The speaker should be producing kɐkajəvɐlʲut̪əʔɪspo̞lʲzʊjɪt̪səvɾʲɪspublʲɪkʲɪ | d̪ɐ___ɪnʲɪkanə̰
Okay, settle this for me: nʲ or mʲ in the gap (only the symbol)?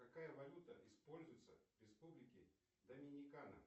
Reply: mʲ